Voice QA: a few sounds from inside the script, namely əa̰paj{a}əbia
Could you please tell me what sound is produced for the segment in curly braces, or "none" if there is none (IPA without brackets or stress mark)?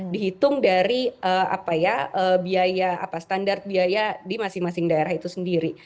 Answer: a